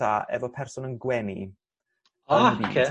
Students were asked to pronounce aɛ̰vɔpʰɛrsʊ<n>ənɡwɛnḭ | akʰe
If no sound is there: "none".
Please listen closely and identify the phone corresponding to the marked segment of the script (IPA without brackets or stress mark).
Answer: n